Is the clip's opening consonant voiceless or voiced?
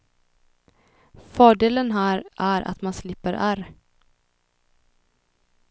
voiceless